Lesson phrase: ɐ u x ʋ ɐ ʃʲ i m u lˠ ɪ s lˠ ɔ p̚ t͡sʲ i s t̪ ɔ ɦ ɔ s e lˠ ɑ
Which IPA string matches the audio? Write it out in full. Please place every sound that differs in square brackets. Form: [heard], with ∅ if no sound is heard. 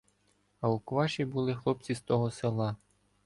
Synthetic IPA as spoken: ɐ u [k] ʋ [ɑ] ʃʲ i [b] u lˠ ɪ [x] lˠ ɔ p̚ t͡sʲ i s t̪ ɔ ɦ ɔ s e lˠ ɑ